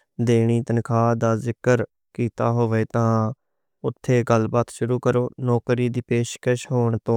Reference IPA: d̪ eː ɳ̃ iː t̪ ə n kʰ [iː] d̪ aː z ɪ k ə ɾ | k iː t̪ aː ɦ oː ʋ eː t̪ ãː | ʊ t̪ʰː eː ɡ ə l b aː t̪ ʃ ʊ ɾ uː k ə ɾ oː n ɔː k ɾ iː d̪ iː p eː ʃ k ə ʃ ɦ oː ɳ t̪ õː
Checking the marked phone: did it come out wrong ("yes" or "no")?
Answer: yes